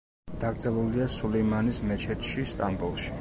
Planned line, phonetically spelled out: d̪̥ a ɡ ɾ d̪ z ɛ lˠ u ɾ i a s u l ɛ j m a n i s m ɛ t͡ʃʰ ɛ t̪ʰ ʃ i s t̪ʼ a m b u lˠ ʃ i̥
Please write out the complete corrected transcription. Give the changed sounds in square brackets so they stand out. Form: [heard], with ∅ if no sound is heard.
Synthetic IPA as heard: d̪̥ a ɡ ɾ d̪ z ɛ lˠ u [l] i a s u l ɛ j m a n i s m ɛ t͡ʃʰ ɛ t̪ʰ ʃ i s t̪ʼ a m b u lˠ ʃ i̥